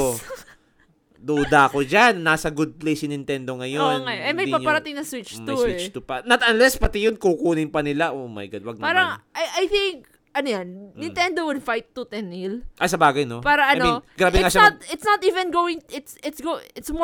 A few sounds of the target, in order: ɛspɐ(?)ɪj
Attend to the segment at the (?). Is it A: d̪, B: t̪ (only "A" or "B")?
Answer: B